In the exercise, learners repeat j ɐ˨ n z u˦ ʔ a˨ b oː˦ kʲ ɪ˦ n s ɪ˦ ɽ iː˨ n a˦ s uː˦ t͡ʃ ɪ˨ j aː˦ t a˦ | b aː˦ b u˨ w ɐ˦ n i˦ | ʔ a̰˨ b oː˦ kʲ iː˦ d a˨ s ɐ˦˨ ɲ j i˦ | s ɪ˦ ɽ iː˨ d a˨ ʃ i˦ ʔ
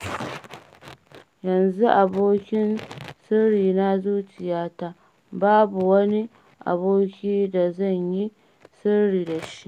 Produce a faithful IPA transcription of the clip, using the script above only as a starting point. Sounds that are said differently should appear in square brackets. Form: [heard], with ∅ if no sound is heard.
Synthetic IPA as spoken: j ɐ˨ n z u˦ ʔ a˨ b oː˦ kʲ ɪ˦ n s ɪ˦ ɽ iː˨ n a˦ [z] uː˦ t͡ʃ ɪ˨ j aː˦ t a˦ | b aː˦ b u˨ w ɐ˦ n i˦ | ʔ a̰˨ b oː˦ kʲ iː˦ d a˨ [z] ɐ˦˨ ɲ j i˦ | s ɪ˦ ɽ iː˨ d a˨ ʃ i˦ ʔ